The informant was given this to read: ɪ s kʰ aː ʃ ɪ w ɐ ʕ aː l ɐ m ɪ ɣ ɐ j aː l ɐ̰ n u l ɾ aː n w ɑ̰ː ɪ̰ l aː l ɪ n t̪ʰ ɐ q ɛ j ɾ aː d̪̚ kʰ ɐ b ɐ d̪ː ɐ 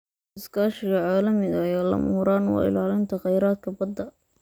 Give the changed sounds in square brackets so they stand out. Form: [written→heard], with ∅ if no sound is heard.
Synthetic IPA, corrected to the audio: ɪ s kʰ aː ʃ ɪ [w→ɣ] ɐ ʕ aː l ɐ m ɪ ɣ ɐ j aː l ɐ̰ [n→m] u [l→∅] ɾ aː n w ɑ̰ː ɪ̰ l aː l ɪ n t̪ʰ ɐ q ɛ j ɾ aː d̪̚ kʰ ɐ b ɐ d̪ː ɐ